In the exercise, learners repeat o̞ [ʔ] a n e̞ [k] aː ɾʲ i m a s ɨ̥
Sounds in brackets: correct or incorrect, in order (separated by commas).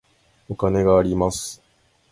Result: incorrect, incorrect